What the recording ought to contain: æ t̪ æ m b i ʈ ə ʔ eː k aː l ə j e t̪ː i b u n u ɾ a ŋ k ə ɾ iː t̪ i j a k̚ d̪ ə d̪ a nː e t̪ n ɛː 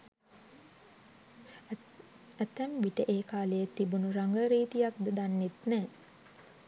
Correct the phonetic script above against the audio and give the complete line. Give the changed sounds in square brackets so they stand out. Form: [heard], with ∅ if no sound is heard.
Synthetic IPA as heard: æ t̪ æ m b i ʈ ə ʔ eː k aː l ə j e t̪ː i b u n u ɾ a ŋ [ɡ] ə ɾ iː t̪ i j a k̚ d̪ ə d̪ a nː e t̪ n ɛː